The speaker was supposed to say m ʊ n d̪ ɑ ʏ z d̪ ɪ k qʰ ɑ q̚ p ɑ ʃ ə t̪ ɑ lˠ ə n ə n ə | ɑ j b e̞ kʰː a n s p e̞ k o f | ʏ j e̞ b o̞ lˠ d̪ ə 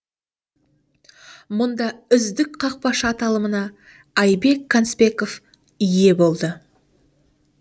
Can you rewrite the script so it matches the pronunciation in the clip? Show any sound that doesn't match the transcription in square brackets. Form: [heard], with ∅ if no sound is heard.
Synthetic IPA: m ʊ n d̪ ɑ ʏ z d̪ ɪ k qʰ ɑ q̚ p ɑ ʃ [ɑ] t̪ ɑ lˠ ə [m] ə n [ɑ] | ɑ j b e̞ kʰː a n s p e̞ k o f | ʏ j e̞ b o̞ lˠ d̪ ə